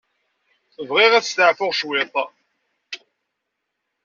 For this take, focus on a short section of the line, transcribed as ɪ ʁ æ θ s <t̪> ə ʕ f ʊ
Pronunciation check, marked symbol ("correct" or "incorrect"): correct